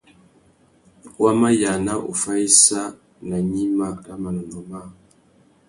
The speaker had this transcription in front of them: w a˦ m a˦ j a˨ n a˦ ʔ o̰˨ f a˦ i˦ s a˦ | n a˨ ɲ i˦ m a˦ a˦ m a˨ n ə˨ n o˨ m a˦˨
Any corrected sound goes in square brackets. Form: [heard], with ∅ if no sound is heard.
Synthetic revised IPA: w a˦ m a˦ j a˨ n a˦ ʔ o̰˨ f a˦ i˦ s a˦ | n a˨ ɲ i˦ m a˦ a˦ m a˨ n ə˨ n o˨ m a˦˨